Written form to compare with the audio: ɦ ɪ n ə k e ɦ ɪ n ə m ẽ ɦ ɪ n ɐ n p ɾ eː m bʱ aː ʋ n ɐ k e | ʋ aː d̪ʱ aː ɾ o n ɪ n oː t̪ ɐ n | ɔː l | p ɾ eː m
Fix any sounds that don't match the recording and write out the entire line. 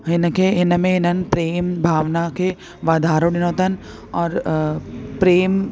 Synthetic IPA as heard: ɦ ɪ n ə k e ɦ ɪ n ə m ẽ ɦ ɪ n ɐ n p ɾ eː m bʱ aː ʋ n a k e | ʋ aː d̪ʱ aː ɾ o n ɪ n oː t̪ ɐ n | ɔː ɾ | p ɾ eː m